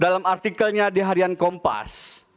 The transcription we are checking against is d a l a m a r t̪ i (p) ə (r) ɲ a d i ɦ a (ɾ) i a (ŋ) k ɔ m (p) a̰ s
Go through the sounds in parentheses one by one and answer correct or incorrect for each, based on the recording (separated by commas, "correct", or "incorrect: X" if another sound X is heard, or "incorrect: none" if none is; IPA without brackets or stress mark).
incorrect: k, incorrect: l, correct, incorrect: n, correct